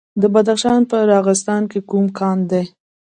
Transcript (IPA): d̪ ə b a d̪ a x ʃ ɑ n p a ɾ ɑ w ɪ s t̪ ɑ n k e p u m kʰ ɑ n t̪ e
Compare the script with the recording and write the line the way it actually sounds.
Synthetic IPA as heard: d̪ ə b a d̪ a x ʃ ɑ n p ə ɾ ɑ ɣ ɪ s t̪ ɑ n k e k u m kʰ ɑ n d̪ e